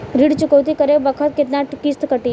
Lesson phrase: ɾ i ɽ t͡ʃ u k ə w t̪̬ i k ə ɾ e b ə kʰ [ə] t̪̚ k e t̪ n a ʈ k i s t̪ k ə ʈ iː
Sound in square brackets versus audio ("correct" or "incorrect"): correct